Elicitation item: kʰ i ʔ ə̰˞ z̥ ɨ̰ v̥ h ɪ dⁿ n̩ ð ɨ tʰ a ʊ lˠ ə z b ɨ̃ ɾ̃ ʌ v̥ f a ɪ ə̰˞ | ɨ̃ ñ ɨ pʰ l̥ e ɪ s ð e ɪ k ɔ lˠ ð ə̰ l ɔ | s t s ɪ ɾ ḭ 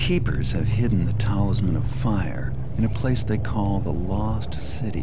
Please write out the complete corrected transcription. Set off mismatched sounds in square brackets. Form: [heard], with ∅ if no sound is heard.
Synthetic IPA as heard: kʰ i [p] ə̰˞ z̥ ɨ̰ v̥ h ɪ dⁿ n̩ ð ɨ tʰ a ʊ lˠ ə z [m] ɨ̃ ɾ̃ ʌ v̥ f a ɪ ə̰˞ | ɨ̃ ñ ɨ pʰ l̥ e ɪ s ð e ɪ [kʰ] ɔ lˠ ð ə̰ l ɔ | s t s ɪ ɾ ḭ